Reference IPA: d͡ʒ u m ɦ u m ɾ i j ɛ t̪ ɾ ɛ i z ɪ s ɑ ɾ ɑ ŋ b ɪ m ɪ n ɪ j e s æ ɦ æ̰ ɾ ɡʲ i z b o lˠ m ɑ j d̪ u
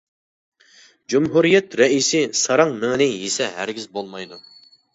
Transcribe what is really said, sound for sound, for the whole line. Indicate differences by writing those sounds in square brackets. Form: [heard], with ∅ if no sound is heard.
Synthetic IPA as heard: d͡ʒ u m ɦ u [∅] ɾ i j ɛ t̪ ɾ ɛ i [s] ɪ s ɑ ɾ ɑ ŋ [m] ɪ [ŋ] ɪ n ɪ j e s [ɛ] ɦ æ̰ ɾ ɡʲ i z b o lˠ m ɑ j d̪ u